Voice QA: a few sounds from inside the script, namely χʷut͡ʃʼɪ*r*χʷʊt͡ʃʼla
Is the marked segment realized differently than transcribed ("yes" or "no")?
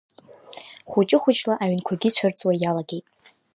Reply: yes